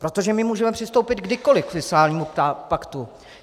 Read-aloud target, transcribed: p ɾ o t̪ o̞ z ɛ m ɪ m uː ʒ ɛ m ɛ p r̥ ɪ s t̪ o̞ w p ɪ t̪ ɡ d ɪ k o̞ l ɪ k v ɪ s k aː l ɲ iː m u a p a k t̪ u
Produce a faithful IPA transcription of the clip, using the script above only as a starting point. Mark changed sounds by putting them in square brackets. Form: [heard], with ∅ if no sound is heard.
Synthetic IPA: p ɾ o t̪ o̞ [ʒ] ɛ m ɪ m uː ʒ ɛ m ɛ p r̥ ɪ s t̪ o̞ w p ɪ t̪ ɡ d ɪ k o̞ l ɪ k [f] ɪ s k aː l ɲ iː m u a p a k t̪ u

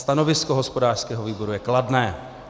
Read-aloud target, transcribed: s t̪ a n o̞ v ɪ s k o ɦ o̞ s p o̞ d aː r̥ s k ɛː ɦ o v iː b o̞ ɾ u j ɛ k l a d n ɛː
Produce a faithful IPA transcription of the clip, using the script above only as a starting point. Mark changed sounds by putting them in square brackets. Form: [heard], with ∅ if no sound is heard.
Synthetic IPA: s t̪ a n o̞ v ɪ s k o ɦ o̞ s p o̞ d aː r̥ s k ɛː ɦ o v iː b o̞ ɾ u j ɛ k l a d n ɛː

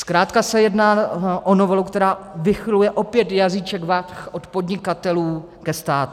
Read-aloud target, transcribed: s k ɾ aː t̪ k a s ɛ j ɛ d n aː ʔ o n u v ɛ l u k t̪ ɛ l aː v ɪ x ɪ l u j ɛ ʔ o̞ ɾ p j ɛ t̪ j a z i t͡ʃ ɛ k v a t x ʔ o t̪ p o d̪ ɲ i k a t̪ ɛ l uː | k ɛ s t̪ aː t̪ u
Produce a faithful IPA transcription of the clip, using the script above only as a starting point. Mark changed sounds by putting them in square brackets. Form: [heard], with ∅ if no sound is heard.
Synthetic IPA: s k ɾ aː t̪ k a s ɛ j ɛ d n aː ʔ o n [o] v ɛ l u k t̪ ɛ [ɾ] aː v ɪ x ɪ l u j ɛ ʔ o̞ [∅] p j ɛ t̪ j a z i t͡ʃ ɛ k v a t x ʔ o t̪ p o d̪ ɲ [ɪ] k a t̪ ɛ l uː | k ɛ s t̪ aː t̪ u

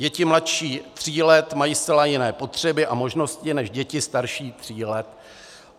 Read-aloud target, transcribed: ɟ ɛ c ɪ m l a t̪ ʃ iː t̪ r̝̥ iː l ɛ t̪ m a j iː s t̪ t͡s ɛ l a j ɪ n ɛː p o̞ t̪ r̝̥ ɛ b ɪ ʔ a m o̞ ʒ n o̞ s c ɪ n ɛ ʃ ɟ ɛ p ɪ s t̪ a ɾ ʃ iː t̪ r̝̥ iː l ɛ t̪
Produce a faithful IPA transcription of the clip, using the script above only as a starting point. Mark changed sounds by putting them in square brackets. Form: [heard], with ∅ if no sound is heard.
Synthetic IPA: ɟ ɛ c ɪ m l a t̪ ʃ iː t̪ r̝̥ iː l ɛ t̪ m a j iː s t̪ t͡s ɛ l a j ɪ n ɛː p o̞ t̪ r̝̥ ɛ b ɪ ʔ a m o̞ ʒ n o̞ s c ɪ n ɛ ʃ ɟ ɛ [c] ɪ s t̪ a ɾ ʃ iː t̪ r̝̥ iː l ɛ t̪

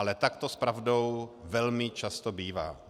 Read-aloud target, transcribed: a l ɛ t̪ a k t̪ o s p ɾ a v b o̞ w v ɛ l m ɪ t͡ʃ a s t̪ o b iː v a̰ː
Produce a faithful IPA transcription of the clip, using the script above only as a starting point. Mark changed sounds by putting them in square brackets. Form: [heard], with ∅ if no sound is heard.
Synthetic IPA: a l ɛ t̪ a k t̪ o s p ɾ a v [d] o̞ w v ɛ l m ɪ t͡ʃ a s t̪ o b iː v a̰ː

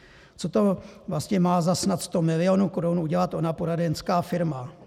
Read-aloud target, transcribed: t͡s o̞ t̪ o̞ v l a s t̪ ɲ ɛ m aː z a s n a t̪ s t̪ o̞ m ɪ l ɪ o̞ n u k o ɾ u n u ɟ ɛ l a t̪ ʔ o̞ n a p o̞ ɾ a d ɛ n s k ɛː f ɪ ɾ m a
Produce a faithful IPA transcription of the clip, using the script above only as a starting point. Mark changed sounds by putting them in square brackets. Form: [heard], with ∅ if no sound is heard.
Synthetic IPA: t͡s o̞ t̪ o̞ v l a s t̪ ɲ ɛ m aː z a s n a t̪ s t̪ o̞ m ɪ l ɪ o̞ n u k o ɾ u n u ɟ ɛ l a t̪ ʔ o̞ n a p o̞ ɾ a d ɛ n s k [aː] f ɪ ɾ m a

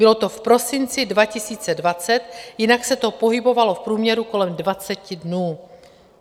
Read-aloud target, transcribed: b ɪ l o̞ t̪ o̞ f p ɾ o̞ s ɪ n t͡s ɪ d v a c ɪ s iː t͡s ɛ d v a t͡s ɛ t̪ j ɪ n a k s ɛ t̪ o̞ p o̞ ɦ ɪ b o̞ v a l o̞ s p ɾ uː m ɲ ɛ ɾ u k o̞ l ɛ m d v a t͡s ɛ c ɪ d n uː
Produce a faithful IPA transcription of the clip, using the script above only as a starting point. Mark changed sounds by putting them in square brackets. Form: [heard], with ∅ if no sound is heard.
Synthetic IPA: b ɪ l o̞ t̪ o̞ f p ɾ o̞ s ɪ n t͡s ɪ d v a c ɪ s iː t͡s ɛ d v a t͡s ɛ t̪ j ɪ n a k s ɛ t̪ o̞ p o̞ ɦ ɪ b o̞ v a l o̞ [f] p ɾ uː m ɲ ɛ ɾ u k o̞ l ɛ m d v a t͡s ɛ c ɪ d n uː

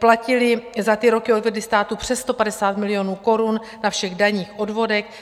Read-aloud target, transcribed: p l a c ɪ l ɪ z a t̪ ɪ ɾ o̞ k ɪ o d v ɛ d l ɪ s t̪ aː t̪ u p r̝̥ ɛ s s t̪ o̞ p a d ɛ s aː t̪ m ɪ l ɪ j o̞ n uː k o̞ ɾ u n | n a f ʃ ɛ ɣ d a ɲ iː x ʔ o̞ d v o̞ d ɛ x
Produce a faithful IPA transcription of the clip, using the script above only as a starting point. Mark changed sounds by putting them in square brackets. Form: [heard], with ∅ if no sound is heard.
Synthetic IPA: p l a c ɪ l ɪ z a t̪ ɪ ɾ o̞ k ɪ o d v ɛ d l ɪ s t̪ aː t̪ u p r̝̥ ɛ s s t̪ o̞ p a d ɛ s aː t̪ m ɪ l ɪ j o̞ n uː k o̞ ɾ u n | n a f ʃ ɛ ɣ d a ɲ iː x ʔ o̞ d v o̞ d ɛ x

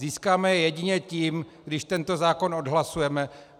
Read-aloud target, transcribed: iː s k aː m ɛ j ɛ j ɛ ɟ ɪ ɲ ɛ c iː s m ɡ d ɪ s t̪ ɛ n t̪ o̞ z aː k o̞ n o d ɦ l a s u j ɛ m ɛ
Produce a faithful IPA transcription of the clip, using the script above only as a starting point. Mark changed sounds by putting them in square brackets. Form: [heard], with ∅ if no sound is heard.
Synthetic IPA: iː s k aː m ɛ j ɛ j ɛ ɟ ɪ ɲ ɛ c iː [∅] m ɡ d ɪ [ʃ] t̪ ɛ n t̪ o̞ z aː k o̞ n o d ɦ l a s u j ɛ m ɛ

